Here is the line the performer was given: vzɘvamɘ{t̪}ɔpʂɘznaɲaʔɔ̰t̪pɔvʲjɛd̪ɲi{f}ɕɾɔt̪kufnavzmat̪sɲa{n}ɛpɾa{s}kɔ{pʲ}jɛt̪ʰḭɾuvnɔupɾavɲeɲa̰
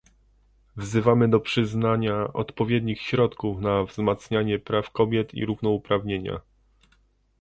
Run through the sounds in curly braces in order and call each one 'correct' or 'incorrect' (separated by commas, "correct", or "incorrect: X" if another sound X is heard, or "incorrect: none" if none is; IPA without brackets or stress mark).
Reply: incorrect: d̪, incorrect: x, incorrect: ɲ, incorrect: f, incorrect: bʲ